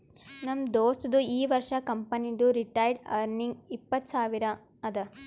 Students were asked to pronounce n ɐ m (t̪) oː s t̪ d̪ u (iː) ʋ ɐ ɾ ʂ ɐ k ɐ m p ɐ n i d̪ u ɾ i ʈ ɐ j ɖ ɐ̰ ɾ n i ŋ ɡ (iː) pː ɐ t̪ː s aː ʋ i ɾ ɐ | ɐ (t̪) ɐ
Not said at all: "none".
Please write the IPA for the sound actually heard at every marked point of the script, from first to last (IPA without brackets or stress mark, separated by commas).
d̪, iː, i, d̪